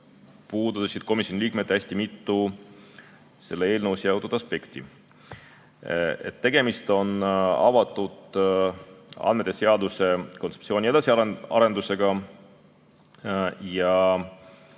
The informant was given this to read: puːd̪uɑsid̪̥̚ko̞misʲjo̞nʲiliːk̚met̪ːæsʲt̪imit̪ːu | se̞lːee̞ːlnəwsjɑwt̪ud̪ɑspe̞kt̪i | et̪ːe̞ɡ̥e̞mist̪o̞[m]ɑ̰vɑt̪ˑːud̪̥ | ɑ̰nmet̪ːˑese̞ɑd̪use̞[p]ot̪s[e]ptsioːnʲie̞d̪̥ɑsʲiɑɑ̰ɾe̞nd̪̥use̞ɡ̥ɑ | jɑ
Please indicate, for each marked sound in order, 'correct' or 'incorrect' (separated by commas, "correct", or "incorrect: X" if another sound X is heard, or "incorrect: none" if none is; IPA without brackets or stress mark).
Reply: incorrect: n, incorrect: k, correct